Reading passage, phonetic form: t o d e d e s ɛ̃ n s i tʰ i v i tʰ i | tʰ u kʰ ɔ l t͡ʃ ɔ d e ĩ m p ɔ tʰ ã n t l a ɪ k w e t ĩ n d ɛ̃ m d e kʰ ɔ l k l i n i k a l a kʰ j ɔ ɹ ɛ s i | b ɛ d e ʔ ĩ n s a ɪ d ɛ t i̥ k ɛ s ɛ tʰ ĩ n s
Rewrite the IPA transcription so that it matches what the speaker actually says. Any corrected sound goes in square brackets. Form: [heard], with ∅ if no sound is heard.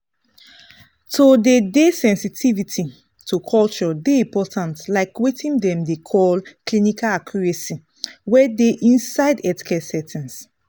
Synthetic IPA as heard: t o d e d e s ɛ̃ n s i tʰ i v i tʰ i | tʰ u kʰ ɔ l t͡ʃ ɔ d e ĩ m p ɔ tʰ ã n t l a ɪ k w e t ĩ n d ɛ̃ m d e kʰ ɔ l k l i n i k a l a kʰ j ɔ ɹ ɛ s i | [w] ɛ d e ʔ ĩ n s a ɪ d ɛ t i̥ k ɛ s ɛ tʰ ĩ n s